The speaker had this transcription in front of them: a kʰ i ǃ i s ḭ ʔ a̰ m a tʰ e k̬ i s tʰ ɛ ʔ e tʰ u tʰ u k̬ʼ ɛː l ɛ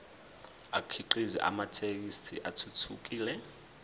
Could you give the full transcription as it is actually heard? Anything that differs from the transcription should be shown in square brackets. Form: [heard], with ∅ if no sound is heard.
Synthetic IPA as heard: a kʰ i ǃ i [z] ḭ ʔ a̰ m a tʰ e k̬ i s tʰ [i] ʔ [a] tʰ u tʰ u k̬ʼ [iː] l ɛ